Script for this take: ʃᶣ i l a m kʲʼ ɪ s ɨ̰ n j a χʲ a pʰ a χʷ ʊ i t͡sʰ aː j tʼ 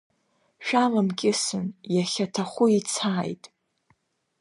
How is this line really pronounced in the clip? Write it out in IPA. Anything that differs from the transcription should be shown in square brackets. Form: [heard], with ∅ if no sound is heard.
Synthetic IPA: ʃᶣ [a] l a m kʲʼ ɪ s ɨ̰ n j a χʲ a [tʰ] a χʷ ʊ i t͡sʰ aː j tʼ